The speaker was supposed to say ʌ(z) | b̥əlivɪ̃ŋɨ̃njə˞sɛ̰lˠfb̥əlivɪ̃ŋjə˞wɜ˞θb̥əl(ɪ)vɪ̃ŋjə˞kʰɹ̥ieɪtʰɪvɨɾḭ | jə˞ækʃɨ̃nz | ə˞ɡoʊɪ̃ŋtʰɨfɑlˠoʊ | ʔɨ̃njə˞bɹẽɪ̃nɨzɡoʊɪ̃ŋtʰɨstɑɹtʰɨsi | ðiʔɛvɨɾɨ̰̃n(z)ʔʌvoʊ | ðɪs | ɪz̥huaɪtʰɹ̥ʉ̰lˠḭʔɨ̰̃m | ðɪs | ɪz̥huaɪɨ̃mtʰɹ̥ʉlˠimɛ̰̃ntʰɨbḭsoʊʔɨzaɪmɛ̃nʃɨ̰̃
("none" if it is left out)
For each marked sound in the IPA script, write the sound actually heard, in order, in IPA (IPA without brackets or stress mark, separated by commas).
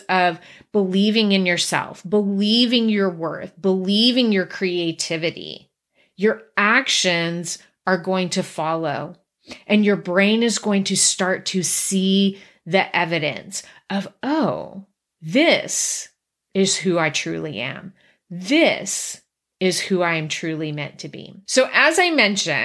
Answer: v, i, s